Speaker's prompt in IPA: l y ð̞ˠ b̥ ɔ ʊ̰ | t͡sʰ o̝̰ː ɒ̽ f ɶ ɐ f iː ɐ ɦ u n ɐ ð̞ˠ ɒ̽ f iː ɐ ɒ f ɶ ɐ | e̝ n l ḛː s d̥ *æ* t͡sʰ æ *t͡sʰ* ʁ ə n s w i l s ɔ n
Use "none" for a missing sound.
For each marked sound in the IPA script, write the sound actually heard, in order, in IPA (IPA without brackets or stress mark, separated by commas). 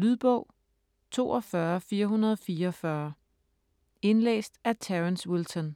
æ, none